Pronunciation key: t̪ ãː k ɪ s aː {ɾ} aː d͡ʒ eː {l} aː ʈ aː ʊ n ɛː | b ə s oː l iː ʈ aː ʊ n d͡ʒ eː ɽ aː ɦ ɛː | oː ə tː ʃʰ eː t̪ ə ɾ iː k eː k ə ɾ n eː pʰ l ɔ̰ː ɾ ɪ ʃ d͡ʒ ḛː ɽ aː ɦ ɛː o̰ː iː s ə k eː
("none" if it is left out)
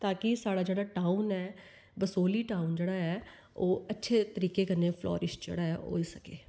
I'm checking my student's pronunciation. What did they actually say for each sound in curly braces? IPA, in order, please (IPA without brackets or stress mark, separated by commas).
ɽ, ɽ